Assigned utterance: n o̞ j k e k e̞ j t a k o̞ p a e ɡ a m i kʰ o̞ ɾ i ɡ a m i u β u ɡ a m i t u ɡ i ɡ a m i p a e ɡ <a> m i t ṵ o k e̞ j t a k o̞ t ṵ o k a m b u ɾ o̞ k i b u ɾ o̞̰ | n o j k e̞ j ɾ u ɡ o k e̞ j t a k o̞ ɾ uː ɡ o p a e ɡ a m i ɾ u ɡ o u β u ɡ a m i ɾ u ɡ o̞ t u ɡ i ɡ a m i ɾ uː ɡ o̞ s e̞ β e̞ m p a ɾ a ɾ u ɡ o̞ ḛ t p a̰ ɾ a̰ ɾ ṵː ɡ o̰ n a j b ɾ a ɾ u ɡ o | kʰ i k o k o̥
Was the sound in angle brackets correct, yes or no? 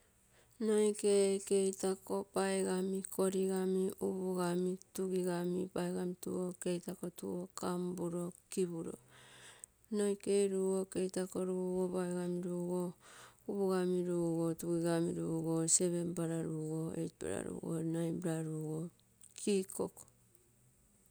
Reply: yes